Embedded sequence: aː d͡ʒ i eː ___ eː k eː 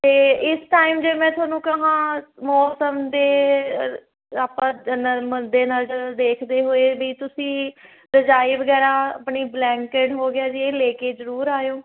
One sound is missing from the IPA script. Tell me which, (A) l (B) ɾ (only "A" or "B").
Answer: A